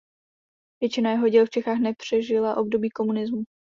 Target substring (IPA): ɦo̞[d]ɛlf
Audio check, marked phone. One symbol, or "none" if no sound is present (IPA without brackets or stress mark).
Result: ɟ